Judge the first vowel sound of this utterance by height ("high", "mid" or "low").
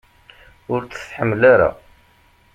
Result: high